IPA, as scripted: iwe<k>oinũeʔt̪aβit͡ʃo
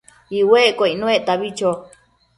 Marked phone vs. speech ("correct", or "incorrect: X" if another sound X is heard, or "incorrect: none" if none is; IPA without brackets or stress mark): correct